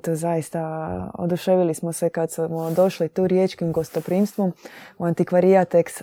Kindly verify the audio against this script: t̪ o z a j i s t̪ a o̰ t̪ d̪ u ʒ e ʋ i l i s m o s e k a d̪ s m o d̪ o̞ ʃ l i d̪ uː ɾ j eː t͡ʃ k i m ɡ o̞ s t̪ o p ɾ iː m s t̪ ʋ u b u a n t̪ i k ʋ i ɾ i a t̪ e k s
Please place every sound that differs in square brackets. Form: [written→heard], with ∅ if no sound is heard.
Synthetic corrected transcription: t̪ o z a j i s t̪ a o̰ [t̪→∅] d̪ u [ʒ→ʃ] e ʋ i l i s m o s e k a d̪ s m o d̪ o̞ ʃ l i [d̪→t̪] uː ɾ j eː t͡ʃ k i m ɡ o̞ s t̪ o p ɾ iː m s t̪ ʋ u [b→m] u a n t̪ i k ʋ [i→a] ɾ i a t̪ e k s